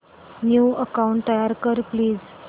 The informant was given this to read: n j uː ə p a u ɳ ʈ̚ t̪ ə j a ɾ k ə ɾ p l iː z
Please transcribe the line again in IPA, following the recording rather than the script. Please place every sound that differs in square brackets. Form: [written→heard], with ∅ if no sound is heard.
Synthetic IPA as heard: n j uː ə [p→k] a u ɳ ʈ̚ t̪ ə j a ɾ k ə ɾ p l iː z